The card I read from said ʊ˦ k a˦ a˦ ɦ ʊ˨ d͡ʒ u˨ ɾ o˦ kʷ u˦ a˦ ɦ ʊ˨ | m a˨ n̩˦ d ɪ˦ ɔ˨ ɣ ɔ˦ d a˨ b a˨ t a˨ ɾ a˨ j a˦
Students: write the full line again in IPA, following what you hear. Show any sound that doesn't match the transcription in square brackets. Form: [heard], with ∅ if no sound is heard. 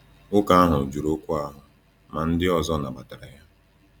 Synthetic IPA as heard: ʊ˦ k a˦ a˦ ɦ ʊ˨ d͡ʒ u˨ ɾ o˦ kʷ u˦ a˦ ɦ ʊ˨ | m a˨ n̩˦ d ɪ˦ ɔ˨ [z] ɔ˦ [n] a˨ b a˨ t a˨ ɾ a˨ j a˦

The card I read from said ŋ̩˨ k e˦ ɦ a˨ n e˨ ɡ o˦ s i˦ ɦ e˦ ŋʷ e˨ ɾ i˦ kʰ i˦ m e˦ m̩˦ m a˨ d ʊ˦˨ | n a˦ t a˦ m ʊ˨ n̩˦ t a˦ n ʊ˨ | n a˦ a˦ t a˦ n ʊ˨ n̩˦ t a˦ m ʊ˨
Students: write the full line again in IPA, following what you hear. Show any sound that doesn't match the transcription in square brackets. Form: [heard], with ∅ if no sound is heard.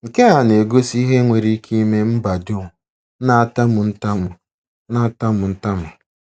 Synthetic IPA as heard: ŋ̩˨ k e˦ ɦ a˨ n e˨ ɡ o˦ s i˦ ɦ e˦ ŋʷ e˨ ɾ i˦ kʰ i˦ m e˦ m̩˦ [b] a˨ d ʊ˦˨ | n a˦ t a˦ m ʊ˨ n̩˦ t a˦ [m] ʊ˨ | n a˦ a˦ t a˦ [m] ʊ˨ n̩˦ t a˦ m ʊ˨

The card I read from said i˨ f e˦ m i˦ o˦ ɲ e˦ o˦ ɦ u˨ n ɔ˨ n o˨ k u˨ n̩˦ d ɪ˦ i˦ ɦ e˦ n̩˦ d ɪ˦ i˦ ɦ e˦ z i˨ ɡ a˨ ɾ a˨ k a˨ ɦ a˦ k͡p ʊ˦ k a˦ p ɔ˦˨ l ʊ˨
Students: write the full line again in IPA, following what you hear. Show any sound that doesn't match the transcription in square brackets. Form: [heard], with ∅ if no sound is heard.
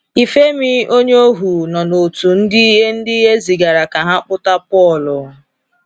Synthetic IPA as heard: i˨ f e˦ m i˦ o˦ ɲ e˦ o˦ ɦ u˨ n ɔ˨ n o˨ [t] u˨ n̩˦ d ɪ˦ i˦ ɦ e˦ n̩˦ d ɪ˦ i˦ ɦ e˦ z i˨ ɡ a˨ ɾ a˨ k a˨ ɦ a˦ k͡p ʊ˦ [t] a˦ p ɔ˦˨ l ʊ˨

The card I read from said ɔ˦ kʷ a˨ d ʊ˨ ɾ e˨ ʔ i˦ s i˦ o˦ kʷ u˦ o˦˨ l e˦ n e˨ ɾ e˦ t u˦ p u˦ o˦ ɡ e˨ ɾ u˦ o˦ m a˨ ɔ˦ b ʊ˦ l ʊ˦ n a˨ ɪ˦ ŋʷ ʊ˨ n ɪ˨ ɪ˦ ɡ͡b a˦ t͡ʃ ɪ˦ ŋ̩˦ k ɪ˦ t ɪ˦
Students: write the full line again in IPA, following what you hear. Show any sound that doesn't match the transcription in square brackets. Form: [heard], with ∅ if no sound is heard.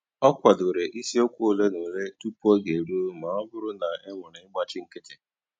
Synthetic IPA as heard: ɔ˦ kʷ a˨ d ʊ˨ ɾ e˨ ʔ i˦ s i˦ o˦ kʷ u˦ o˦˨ l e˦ n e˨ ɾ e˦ t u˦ p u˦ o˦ ɡ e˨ ɾ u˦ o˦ m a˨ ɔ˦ b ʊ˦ [ɾ] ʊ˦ n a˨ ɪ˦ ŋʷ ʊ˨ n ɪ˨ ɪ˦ ɡ͡b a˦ t͡ʃ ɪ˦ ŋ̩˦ k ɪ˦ t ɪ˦

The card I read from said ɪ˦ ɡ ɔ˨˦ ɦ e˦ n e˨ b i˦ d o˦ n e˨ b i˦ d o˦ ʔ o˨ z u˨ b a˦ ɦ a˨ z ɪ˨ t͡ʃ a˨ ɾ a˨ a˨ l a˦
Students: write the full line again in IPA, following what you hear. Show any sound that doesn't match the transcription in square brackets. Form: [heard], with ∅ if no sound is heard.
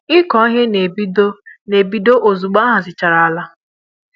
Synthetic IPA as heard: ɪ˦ [k] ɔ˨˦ ɦ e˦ n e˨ b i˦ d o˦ n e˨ b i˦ d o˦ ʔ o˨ z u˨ [ɡ͡b] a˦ ɦ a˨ z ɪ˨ t͡ʃ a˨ ɾ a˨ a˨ l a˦

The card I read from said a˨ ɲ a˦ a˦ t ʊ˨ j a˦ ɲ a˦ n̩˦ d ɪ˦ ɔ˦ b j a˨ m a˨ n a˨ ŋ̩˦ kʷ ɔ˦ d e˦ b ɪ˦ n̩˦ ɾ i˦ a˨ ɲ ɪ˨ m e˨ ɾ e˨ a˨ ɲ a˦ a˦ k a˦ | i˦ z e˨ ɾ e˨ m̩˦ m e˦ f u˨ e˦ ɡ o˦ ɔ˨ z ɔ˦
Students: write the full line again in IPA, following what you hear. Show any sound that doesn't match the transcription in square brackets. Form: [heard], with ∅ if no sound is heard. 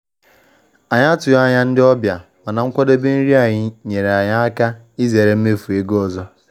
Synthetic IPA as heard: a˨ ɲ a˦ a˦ t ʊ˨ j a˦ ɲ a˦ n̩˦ d ɪ˦ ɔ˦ b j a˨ m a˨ n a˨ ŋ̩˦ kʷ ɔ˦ d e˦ b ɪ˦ n̩˦ ɾ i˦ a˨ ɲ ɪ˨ [ɲ] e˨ ɾ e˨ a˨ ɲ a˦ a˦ k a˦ | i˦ z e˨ ɾ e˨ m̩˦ m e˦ f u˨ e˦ ɡ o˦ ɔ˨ z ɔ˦

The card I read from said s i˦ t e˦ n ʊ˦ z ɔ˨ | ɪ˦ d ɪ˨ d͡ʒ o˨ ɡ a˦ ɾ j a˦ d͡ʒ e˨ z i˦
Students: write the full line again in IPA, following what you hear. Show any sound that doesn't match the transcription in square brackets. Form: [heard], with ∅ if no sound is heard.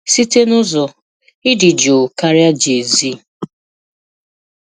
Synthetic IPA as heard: s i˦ t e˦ n ʊ˦ z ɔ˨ | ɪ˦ d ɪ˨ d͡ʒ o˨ [k] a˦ ɾ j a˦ d͡ʒ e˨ z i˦

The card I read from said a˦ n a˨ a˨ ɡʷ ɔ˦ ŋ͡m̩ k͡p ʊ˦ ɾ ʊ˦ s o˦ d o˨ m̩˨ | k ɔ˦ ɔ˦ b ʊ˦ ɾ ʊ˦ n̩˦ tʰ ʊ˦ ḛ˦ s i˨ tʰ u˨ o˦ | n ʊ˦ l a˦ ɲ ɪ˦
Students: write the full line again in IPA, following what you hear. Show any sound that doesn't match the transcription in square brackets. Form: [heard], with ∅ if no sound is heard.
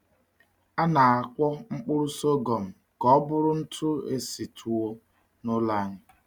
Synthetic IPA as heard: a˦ n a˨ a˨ [kʷ] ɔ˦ ŋ͡m̩ k͡p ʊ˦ ɾ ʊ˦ s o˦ [ɡ] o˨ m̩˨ | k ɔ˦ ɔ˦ b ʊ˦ ɾ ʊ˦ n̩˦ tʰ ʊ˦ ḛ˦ s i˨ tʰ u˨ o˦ | n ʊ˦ l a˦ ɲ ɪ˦

